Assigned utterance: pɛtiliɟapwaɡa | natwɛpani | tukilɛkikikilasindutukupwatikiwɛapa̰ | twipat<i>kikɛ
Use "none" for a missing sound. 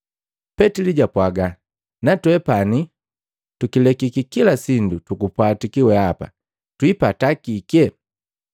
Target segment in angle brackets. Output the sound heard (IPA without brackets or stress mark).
a